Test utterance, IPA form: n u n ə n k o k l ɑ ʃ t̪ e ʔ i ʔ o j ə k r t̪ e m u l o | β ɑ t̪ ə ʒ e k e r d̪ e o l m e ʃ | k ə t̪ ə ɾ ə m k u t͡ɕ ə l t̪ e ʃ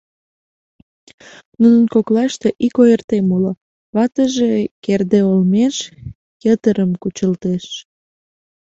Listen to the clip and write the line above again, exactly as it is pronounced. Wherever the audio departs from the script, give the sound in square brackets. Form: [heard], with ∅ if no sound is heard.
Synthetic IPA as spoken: n u n ə n k o k l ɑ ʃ t̪ e ʔ i [k] o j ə [∅] r t̪ e m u l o | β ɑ t̪ ə ʒ e k e r d̪ e o l m e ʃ | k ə t̪ ə ɾ ə m k u t͡ɕ ə l t̪ e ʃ

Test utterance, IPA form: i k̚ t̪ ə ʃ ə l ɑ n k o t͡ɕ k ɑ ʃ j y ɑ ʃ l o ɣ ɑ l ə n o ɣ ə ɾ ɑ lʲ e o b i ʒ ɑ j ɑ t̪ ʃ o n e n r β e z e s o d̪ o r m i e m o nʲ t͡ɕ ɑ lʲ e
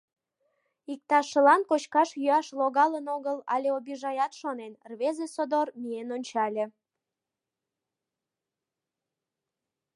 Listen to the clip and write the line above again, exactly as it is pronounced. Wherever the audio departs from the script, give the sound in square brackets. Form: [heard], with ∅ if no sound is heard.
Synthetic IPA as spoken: i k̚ t̪ [ɑ] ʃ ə l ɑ n k o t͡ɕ k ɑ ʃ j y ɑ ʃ l o ɣ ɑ l ə n o ɣ ə [l] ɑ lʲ e o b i ʒ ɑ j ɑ t̪ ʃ o n e n r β e z e s o d̪ o r m i e [n] o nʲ t͡ɕ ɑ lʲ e

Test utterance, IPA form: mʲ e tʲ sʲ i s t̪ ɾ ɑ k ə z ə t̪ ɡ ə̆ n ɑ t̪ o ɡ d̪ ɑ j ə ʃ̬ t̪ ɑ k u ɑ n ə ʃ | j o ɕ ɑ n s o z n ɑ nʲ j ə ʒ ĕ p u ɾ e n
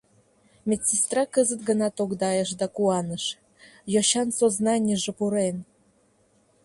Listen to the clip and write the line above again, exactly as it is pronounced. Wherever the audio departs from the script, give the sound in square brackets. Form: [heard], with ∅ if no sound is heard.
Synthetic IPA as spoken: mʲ e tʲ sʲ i s t̪ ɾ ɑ k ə z ə t̪ ɡ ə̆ n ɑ t̪ o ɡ d̪ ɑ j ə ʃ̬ [d̪] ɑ k u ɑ n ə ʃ | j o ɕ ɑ n s o z n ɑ nʲ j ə ʒ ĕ p u ɾ e n

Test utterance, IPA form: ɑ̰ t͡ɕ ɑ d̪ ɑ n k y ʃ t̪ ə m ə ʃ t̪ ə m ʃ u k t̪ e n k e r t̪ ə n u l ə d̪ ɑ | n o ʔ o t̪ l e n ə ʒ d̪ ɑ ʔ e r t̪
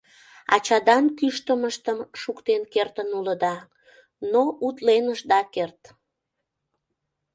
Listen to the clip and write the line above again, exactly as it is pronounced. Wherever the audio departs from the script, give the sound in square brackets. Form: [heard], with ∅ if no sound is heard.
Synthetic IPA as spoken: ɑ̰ t͡ɕ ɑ d̪ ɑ n k y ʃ t̪ ə m ə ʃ t̪ ə m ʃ u k t̪ e n k e r t̪ ə n u l ə d̪ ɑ | n o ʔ [u] t̪ l e n ə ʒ d̪ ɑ [k] e r t̪

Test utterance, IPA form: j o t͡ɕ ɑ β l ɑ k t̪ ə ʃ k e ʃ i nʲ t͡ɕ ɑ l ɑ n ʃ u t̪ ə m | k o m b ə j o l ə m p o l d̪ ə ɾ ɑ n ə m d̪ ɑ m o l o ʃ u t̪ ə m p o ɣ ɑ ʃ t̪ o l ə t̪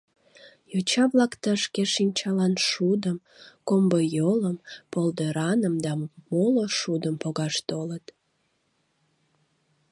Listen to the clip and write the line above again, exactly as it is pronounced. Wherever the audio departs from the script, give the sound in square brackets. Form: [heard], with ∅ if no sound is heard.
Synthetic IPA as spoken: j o t͡ɕ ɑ β l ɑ k t̪ ə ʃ k e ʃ i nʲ t͡ɕ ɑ l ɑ n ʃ u [d̪] ə m | k o m b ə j o l ə m p o l d̪ ə ɾ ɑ n ə m d̪ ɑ m o l o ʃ u [d̪] ə m p o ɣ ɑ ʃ t̪ o l ə t̪

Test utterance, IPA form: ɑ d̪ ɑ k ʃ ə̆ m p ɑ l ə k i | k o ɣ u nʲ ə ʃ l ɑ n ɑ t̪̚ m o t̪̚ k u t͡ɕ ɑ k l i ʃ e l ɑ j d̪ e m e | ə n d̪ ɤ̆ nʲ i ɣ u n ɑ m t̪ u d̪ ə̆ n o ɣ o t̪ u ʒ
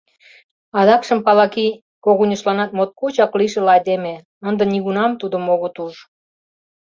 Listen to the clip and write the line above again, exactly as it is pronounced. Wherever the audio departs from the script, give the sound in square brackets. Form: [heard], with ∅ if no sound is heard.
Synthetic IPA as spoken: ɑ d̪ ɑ k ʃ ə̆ m p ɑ l [ɑ] k i | k o ɣ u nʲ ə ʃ l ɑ n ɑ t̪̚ m o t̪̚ k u t͡ɕ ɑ k l i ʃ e l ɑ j d̪ e m e | ə n d̪ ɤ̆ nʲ i ɣ u n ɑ m t̪ u d̪ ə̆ [m] o ɣ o t̪ u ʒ

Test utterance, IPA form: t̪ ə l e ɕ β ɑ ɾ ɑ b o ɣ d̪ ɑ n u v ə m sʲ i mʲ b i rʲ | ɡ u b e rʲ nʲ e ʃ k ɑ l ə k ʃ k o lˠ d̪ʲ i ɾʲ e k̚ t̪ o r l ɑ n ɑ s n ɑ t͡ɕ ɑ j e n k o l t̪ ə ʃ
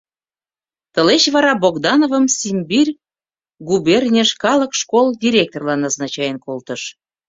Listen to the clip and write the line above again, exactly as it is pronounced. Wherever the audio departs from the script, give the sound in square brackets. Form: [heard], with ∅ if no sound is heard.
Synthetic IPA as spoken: t̪ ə l e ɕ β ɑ ɾ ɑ b o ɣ d̪ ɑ n [o] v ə m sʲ i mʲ b i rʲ | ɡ u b e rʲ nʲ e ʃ k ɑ l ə k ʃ k o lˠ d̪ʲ i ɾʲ e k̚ t̪ o r l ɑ n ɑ [z] n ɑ t͡ɕ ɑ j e n k o l t̪ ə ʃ

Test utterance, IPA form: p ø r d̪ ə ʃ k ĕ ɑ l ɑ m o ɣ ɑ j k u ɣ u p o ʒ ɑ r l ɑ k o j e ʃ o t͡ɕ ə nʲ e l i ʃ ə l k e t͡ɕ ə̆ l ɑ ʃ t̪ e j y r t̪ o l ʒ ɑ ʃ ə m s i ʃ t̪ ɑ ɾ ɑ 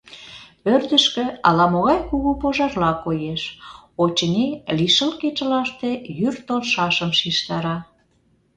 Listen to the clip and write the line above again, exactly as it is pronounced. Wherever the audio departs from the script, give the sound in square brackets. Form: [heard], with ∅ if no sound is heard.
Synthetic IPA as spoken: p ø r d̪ ə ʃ k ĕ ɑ l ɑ m o ɣ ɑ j k u ɣ u p o ʒ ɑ r l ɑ k o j e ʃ o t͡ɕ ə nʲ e l i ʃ ə l k e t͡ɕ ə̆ l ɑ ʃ t̪ e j y r t̪ o l [ʃ] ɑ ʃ ə m [ʃ] i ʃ t̪ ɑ ɾ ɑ

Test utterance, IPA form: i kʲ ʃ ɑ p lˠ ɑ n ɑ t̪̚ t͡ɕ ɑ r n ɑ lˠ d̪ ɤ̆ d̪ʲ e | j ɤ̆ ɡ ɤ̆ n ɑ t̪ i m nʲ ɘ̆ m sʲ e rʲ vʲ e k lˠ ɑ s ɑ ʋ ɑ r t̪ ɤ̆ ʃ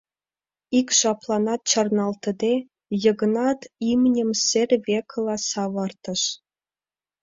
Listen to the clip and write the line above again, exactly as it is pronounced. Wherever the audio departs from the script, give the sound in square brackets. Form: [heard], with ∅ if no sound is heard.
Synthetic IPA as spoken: i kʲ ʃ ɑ p lˠ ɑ n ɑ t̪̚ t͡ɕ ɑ r n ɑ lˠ [t̪] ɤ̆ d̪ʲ e | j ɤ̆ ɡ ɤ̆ n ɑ t̪ i m nʲ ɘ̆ m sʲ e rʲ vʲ e k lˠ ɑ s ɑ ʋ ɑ r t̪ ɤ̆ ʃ

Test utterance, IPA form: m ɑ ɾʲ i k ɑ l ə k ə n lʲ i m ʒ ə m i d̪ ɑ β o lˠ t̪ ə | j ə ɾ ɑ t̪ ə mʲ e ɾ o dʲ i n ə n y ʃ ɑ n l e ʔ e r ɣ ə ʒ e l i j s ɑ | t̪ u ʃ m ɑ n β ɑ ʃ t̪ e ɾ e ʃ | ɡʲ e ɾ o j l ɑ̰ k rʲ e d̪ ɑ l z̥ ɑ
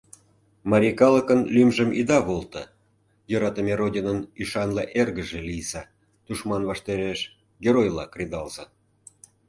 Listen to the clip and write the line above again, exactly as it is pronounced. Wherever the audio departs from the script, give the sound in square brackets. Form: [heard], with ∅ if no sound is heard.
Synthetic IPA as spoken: m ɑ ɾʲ i k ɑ l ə k ə n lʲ [y] m ʒ ə m i d̪ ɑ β o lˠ t̪ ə | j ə ɾ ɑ t̪ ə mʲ e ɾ o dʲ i n ə n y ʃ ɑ n l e ʔ e r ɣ ə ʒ e l i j s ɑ | t̪ u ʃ m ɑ n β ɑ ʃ t̪ e ɾ e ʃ | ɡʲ e ɾ o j l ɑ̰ k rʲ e d̪ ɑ l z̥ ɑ

